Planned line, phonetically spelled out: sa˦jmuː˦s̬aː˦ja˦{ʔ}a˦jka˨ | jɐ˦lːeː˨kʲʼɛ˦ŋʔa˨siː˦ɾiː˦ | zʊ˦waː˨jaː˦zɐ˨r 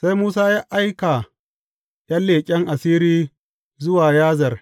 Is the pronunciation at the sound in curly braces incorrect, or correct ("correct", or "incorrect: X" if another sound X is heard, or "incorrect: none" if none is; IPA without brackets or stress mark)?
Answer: correct